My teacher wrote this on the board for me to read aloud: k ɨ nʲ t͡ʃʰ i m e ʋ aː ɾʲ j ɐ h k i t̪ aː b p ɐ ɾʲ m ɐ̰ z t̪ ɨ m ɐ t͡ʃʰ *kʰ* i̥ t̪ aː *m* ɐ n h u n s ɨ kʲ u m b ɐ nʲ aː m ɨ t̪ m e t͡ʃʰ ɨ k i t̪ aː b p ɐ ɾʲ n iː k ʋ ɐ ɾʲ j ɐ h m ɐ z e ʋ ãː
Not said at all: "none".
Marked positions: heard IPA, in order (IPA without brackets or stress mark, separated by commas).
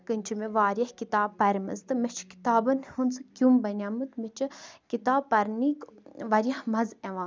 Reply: k, b